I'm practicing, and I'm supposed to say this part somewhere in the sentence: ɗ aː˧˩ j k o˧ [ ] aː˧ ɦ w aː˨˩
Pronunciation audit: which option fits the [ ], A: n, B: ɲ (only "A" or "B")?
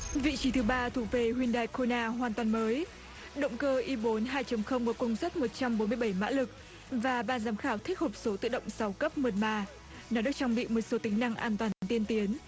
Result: A